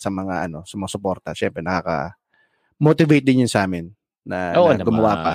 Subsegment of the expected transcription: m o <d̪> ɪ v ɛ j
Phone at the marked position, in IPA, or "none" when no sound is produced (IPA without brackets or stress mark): t̪